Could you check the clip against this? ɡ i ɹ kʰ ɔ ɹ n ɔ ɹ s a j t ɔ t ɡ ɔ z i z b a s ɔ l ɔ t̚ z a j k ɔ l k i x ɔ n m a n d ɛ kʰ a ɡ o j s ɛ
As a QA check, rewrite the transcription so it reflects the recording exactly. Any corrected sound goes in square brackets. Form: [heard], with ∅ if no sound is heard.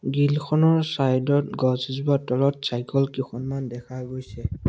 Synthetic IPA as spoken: ɡ i [l] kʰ ɔ [∅] n ɔ ɹ s a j [d] ɔ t ɡ ɔ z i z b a [t] ɔ l ɔ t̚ [s] a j k ɔ l k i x ɔ n m a n d ɛ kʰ a ɡ o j s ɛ